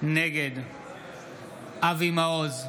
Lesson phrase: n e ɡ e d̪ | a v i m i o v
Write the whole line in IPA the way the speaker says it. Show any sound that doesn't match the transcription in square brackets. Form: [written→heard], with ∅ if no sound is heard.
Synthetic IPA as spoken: n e ɡ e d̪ | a v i m [i→a] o [v→z]